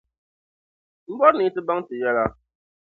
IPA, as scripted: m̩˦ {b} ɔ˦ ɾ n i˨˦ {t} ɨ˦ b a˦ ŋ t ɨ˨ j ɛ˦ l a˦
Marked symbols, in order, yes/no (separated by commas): yes, yes